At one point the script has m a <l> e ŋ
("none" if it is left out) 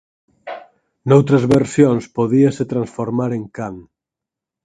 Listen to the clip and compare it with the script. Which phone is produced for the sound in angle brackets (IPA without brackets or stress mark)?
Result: ɾ